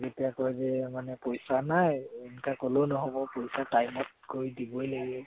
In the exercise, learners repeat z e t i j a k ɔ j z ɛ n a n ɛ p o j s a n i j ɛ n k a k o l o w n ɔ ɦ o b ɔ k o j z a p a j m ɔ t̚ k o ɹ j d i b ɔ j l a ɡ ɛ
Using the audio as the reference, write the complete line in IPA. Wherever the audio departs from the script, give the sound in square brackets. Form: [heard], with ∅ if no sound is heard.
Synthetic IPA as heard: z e t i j a k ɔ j z ɛ [m] a n ɛ p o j s a n [a] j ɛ n k a k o l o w n ɔ ɦ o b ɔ [p] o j [s] a [t] a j m ɔ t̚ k o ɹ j d i b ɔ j l a ɡ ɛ